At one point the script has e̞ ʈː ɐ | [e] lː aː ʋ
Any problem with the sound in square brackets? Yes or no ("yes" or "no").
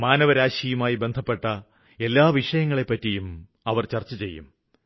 no